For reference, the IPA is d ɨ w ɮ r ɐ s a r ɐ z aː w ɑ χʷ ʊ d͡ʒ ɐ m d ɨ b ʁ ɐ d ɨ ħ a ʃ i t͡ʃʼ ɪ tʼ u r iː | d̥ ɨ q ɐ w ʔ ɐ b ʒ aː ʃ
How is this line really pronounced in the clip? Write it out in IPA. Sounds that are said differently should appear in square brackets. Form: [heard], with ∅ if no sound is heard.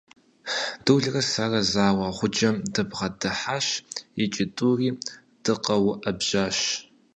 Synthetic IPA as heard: d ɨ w ɮ r ɐ s a r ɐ z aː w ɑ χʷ ʊ d͡ʒ ɐ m d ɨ b ʁ ɐ d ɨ ħ a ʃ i t͡ʃʼ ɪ tʼ u r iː | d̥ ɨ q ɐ w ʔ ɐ b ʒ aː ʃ